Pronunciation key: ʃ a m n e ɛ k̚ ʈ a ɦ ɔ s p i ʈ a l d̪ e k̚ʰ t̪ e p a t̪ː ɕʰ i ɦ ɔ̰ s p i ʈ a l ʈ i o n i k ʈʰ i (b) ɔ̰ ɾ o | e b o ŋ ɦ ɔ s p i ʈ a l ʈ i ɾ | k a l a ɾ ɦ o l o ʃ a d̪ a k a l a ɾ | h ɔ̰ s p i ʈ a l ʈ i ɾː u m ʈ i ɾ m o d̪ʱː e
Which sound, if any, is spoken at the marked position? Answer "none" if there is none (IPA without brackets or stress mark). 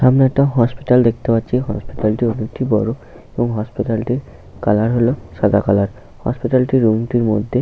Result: b